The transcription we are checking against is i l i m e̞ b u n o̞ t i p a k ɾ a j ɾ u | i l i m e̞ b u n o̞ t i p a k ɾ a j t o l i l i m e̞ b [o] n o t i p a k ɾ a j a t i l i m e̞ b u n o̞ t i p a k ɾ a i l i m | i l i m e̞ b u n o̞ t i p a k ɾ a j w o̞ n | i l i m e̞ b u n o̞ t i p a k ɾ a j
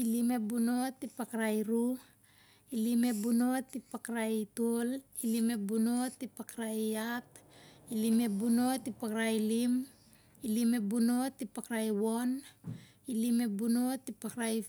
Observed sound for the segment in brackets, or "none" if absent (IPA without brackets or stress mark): u